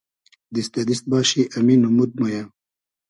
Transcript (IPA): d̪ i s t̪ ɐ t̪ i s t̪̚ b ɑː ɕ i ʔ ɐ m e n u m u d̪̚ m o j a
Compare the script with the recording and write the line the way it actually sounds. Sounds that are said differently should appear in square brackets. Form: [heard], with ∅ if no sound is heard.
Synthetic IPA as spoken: d̪ i s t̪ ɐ [d̪] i s t̪̚ b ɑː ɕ i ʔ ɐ m [i] n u m u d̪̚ m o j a